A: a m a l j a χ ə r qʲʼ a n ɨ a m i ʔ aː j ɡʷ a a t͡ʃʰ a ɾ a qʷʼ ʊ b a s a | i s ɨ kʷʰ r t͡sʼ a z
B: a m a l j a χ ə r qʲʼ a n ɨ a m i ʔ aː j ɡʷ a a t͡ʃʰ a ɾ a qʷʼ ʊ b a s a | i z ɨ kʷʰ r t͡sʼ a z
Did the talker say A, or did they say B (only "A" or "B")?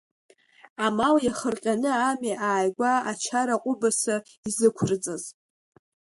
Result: B